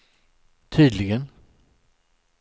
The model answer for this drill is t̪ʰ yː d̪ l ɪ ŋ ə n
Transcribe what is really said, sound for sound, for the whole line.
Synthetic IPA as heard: t̪ʰ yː d̪ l ɪ ɡ ə n